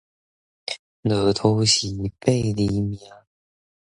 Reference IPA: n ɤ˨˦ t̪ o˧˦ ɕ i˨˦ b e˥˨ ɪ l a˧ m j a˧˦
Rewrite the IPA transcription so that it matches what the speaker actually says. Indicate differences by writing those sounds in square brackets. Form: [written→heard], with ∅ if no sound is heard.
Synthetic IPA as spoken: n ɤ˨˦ [t̪→t̪ʰ] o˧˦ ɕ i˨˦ [b→p] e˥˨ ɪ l [a˧→i˧] m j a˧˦